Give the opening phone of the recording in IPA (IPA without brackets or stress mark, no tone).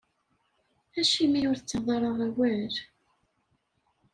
æ